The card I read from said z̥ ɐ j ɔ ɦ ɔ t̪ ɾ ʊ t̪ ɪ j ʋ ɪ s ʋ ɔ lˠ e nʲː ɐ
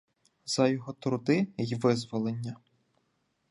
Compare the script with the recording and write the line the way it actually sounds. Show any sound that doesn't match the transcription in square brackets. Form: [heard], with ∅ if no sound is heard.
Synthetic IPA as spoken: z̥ ɐ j ɔ ɦ ɔ t̪ ɾ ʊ [d̪] ɪ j ʋ ɪ [z] ʋ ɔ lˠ e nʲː ɐ